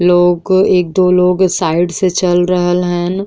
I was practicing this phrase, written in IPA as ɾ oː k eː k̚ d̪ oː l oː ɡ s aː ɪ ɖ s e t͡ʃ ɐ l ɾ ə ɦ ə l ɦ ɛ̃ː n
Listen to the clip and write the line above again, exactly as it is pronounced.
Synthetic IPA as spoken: l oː ɡ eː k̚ d̪ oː l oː ɡ s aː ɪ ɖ s e t͡ʃ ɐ l ɾ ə ɦ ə l ɦ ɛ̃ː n